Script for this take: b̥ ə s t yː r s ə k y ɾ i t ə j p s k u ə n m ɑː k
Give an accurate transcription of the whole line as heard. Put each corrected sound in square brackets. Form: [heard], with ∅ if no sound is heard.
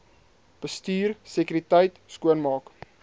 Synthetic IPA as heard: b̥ ə s t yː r s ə k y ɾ i t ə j [t] s k u ə n m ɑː k

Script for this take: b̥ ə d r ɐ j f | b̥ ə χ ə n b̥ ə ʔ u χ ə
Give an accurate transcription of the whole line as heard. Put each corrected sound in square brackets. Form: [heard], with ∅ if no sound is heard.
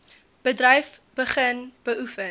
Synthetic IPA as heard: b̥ ə d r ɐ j f | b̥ ə χ ə n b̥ ə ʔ u [f] ə

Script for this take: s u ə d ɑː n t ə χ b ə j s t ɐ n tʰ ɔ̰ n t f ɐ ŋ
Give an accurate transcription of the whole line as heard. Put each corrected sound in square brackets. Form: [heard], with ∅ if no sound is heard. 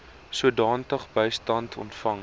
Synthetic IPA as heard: s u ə d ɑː n t ə χ b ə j s t ɐ n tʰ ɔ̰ n t f ɐ ŋ

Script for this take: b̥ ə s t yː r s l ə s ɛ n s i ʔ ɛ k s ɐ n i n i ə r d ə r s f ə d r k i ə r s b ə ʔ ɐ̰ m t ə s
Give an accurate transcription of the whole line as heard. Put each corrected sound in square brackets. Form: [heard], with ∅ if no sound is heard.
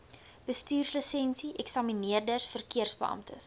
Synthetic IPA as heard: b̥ ə s t yː r s l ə s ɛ n s i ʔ ɛ k s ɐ [m] i n i ə r d ə r s f ə [∅] r k i ə r s b ə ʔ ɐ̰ m t ə s

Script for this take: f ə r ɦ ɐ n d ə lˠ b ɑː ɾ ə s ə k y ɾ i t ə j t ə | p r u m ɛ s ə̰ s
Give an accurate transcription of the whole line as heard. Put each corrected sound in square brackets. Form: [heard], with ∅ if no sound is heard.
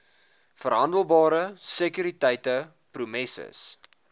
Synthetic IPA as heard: f ə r ɦ ɐ n d ə lˠ b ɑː ɾ ə s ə k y ɾ i t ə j t ə | p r u m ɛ s ə̰ s

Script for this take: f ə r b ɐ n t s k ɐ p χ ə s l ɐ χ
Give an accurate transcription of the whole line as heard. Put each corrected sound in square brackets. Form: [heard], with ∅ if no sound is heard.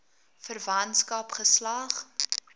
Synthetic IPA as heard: f ə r [v] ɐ n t s k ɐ p χ ə s l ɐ χ

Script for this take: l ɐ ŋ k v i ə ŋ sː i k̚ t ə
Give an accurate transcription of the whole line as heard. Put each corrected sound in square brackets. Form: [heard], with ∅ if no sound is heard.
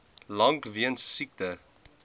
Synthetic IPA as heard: l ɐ ŋ k v i ə [n] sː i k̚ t ə

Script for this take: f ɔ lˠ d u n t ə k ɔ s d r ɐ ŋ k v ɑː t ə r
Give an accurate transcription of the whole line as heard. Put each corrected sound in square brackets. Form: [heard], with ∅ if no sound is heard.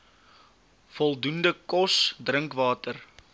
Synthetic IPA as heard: f ɔ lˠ d u n [d] ə k ɔ s d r [ə] ŋ k v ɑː t ə r

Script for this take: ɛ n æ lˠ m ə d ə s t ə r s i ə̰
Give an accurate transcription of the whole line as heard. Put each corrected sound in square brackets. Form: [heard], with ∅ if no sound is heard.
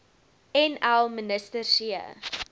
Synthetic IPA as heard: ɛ n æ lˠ m ə [n] ə s t ə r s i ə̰

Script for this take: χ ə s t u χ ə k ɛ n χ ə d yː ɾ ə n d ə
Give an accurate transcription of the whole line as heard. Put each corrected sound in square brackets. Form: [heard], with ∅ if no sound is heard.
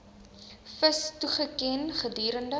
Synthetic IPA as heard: [f] ə s t u χ ə k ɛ n χ ə d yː ɾ ə n d ə

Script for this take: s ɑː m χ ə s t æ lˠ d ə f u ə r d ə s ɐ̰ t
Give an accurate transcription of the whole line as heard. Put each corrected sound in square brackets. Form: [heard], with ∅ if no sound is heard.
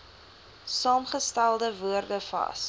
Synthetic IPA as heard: s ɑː m χ ə s t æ lˠ d ə [v] u ə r d ə [f] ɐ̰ [s]

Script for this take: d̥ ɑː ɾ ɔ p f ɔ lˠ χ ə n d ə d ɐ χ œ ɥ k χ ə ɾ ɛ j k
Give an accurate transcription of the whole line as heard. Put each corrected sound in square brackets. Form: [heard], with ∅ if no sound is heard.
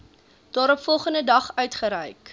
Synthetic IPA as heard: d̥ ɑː ɾ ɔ p f ɔ lˠ χ ə n d ə d ɐ χ œ ɥ [t] χ ə ɾ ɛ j k

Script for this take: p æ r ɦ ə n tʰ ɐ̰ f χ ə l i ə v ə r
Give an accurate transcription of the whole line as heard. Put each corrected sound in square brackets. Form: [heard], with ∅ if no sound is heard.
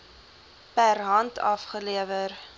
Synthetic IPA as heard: p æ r ɦ [ɐ] n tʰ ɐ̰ f χ ə l i ə v ə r

